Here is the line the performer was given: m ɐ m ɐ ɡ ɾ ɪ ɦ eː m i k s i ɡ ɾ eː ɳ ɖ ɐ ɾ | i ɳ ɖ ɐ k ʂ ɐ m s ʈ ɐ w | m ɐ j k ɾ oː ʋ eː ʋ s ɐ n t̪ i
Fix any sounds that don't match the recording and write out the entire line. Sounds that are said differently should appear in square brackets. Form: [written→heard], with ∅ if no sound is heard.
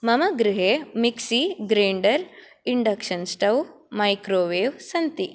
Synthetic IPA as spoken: m ɐ m ɐ ɡ ɾ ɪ ɦ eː m i k s i ɡ ɾ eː ɳ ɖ ɐ ɾ | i ɳ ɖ ɐ k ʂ ɐ [m→n] s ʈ ɐ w | m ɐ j k ɾ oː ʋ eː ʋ s ɐ n t̪ i

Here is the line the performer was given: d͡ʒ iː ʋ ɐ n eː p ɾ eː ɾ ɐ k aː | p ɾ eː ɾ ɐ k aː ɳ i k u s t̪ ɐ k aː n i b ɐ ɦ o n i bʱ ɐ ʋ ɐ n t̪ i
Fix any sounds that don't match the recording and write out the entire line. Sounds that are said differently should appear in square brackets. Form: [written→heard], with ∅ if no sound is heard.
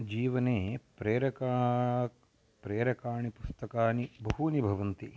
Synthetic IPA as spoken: d͡ʒ iː ʋ ɐ n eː p ɾ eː ɾ ɐ k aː | p ɾ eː ɾ ɐ k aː ɳ i [k→p] u s t̪ ɐ k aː n i b ɐ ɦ [o→u] n i bʱ ɐ ʋ ɐ n t̪ i

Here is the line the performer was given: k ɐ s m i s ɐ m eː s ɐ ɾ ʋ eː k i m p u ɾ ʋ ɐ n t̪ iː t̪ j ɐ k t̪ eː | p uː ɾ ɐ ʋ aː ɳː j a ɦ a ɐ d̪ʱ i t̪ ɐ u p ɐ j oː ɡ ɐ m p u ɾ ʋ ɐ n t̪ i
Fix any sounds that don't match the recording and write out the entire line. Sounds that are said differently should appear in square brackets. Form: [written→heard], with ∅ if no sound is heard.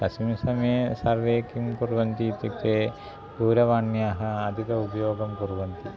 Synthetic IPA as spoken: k ɐ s m i s ɐ m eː s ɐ ɾ ʋ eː k i m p u ɾ ʋ ɐ n t̪ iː t̪ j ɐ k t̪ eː | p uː ɾ ɐ ʋ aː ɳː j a ɦ [a→ɐ] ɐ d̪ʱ i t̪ ɐ u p ɐ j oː ɡ ɐ m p u ɾ ʋ ɐ n t̪ i

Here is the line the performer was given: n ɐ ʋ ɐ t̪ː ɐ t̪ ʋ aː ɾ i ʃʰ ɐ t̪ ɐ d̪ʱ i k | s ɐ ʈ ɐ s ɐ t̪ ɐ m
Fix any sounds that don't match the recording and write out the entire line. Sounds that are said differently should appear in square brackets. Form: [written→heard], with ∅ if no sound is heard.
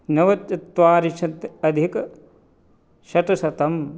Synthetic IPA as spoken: n ɐ ʋ ɐ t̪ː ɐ t̪ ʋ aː ɾ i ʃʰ ɐ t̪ ɐ d̪ʱ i k | [s→ʃ] ɐ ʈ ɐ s ɐ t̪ ɐ m

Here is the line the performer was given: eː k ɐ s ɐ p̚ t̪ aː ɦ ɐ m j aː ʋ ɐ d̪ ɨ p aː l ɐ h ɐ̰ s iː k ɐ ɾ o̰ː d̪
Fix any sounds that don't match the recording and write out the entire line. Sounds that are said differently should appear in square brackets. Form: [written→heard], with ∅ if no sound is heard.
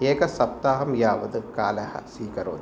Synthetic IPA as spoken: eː k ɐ s ɐ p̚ t̪ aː ɦ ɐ m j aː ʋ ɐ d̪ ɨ [p→k] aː l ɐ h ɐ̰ s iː k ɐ ɾ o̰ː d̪

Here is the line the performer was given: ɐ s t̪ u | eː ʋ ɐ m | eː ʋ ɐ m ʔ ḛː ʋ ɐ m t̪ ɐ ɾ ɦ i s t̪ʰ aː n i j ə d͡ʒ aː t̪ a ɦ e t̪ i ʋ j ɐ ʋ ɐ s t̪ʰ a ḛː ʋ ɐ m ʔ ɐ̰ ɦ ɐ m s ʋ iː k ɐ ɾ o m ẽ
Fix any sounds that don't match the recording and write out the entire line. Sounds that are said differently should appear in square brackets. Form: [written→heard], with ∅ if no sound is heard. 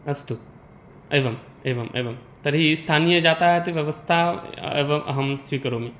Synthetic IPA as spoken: ɐ s t̪ u | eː ʋ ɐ m | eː ʋ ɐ m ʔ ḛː ʋ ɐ m t̪ ɐ ɾ ɦ i s t̪ʰ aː n i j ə d͡ʒ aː t̪ a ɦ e t̪ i ʋ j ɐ ʋ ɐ s t̪ʰ a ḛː ʋ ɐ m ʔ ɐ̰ ɦ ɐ m s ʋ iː k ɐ ɾ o m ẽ

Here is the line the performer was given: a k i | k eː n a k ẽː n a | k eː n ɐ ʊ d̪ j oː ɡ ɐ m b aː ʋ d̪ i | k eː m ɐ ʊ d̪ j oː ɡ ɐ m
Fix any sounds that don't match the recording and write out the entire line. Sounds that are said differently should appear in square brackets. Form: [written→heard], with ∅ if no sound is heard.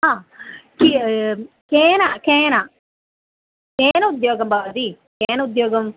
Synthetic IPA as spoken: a k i | k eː n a k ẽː n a | k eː n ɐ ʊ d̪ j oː ɡ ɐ m b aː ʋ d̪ i | k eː [m→n] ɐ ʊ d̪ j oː ɡ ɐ m

